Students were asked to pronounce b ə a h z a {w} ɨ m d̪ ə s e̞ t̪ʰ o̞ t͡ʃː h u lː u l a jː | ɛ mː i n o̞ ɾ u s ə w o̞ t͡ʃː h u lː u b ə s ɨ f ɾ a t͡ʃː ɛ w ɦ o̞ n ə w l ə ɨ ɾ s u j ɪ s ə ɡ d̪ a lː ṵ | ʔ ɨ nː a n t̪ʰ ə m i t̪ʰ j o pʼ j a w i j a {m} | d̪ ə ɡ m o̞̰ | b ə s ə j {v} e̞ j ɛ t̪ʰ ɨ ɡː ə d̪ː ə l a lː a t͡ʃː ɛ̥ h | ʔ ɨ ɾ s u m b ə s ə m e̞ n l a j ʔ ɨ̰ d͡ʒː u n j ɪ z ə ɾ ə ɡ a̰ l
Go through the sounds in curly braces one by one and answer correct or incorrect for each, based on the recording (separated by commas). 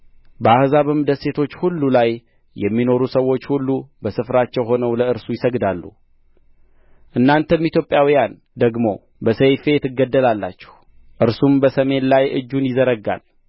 incorrect, incorrect, incorrect